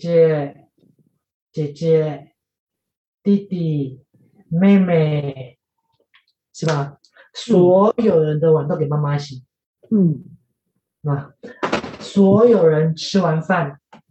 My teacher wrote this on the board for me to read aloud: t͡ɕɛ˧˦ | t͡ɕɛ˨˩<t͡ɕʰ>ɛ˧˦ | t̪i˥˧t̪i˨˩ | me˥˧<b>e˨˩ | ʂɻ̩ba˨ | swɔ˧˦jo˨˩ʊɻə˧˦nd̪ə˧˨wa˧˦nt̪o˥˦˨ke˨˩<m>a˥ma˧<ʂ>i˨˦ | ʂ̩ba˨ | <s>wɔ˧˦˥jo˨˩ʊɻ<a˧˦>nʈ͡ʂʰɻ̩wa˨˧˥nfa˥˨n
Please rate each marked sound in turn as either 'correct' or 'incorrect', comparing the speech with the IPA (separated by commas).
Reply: incorrect, incorrect, correct, incorrect, correct, incorrect